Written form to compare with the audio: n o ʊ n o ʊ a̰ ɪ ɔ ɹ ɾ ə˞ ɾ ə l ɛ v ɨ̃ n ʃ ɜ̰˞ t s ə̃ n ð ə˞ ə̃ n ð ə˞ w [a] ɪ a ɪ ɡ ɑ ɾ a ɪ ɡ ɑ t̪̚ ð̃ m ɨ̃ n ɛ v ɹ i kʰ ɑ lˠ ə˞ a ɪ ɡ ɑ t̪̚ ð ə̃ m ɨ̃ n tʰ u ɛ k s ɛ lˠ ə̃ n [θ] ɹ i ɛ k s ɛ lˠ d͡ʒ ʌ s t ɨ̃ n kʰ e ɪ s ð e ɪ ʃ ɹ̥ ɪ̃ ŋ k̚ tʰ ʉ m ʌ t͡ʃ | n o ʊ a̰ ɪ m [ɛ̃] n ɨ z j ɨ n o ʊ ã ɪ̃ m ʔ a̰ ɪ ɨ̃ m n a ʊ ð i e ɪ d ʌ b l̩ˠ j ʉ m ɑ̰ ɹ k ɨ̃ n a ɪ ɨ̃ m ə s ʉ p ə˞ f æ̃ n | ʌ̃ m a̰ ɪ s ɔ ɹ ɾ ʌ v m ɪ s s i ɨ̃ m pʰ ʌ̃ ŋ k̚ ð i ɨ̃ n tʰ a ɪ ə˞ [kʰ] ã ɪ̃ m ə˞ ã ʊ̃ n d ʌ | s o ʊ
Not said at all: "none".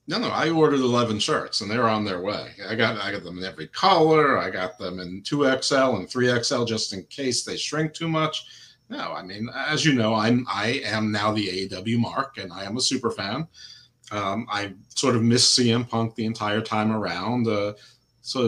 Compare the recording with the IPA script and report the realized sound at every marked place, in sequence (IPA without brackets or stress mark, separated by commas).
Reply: e, θ, ĩ, tʰ